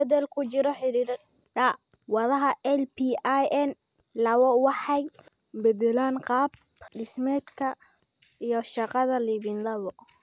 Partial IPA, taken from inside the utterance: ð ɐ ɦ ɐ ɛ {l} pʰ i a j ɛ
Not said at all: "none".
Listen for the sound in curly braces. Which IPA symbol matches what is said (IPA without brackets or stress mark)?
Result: l